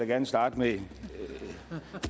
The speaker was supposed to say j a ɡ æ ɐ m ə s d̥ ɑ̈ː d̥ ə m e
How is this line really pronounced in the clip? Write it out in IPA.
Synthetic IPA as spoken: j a ɡ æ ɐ n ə s d̥ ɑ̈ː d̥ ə m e